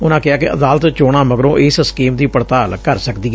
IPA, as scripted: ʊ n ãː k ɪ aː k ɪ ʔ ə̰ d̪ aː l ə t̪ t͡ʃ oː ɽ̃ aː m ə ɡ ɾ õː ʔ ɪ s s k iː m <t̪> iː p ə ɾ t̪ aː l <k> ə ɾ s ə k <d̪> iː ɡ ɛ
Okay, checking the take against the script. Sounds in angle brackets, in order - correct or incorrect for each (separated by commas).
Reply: incorrect, correct, correct